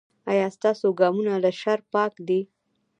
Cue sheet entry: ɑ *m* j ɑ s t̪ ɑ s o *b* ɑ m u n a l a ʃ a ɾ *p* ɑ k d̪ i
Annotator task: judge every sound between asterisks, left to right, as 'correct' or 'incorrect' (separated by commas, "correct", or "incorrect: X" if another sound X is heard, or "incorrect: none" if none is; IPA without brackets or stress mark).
incorrect: none, incorrect: ɡ, correct